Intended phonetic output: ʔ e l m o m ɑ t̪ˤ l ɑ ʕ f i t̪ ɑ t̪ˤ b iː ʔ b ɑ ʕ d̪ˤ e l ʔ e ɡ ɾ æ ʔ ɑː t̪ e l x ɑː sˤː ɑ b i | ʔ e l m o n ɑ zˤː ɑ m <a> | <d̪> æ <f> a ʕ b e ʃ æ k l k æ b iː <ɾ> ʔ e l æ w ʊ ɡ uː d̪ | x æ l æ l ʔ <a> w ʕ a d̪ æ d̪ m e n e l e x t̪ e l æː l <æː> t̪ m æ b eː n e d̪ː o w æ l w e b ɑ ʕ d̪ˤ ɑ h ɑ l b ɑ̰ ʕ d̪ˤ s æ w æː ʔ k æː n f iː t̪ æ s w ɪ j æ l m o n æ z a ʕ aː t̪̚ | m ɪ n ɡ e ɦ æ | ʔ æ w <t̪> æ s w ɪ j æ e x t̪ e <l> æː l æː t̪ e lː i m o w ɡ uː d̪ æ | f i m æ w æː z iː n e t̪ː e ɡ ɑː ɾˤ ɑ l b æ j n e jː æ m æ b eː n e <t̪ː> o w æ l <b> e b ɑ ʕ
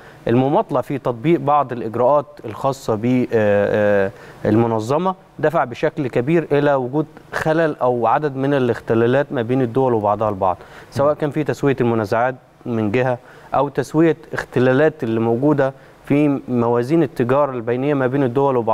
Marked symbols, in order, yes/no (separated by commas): no, yes, yes, yes, no, yes, yes, yes, no, no